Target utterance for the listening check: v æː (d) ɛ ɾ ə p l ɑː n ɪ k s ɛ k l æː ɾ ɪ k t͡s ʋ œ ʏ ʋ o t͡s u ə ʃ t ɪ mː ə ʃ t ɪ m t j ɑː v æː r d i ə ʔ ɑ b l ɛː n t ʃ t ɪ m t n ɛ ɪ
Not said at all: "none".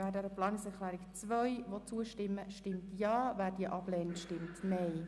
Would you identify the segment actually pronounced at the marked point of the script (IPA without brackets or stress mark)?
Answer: d